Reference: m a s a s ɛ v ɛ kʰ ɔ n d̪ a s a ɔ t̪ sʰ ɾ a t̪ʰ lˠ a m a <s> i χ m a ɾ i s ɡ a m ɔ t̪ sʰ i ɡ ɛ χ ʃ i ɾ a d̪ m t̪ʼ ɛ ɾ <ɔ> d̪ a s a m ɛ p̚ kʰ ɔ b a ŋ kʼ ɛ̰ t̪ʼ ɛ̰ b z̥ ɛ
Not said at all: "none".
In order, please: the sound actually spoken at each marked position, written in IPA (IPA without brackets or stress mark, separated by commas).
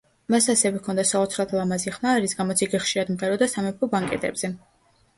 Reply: z, ɔ